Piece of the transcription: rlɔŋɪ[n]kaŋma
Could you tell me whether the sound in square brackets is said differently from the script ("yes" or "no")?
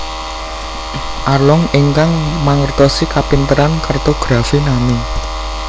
yes